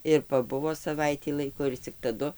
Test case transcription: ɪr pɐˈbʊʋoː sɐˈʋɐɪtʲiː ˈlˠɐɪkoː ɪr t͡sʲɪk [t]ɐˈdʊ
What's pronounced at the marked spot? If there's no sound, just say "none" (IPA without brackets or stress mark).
t